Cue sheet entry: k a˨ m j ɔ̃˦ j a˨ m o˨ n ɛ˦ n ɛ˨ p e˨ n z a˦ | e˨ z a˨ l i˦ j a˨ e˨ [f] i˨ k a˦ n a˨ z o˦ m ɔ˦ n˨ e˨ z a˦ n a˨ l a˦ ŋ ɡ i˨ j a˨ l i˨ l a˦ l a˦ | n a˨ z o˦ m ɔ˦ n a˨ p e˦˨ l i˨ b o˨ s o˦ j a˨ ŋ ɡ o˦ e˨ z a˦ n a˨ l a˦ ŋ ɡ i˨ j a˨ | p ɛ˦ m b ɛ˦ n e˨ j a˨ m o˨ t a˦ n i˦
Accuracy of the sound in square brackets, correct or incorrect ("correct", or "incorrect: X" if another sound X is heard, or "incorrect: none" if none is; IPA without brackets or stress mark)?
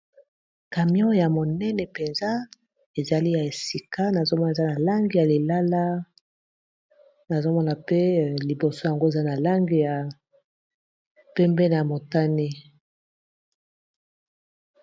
incorrect: s